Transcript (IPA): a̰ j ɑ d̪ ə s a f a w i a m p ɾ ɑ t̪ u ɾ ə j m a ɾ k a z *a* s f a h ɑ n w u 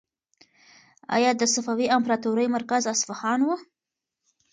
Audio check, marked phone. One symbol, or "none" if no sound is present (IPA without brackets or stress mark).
a